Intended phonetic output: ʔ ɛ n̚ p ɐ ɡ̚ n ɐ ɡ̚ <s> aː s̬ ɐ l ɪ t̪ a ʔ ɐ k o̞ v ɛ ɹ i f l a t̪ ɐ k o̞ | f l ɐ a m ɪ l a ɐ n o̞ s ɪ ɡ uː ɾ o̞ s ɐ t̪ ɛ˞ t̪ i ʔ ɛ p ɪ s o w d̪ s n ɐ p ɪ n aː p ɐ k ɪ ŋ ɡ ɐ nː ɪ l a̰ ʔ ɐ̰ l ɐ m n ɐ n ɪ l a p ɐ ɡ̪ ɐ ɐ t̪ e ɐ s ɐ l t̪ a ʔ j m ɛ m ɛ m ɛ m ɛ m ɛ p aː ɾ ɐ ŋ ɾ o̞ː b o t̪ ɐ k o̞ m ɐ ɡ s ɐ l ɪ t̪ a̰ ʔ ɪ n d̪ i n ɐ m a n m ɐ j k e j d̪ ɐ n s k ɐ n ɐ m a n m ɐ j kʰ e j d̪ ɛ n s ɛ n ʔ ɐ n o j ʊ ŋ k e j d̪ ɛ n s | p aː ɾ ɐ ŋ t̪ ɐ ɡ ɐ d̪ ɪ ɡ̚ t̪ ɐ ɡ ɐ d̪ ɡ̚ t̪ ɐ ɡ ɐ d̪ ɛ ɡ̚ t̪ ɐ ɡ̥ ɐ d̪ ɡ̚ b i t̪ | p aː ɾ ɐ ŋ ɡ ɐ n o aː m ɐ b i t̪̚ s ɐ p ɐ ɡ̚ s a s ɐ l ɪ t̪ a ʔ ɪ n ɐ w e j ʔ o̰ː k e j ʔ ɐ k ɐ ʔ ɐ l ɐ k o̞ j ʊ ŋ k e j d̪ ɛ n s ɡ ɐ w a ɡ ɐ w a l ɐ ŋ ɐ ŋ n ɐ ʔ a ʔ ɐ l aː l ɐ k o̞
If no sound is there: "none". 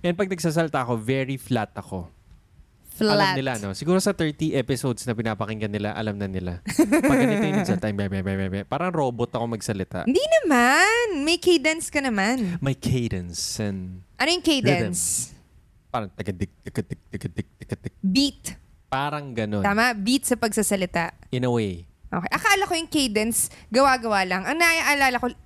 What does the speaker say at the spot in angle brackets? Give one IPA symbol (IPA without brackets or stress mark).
s